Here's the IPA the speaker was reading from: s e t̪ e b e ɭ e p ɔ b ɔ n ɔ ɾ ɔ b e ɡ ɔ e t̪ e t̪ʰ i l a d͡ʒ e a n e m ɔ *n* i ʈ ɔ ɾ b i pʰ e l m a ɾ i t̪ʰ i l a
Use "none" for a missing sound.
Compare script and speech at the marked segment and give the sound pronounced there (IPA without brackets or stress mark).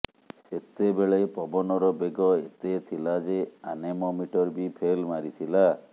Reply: m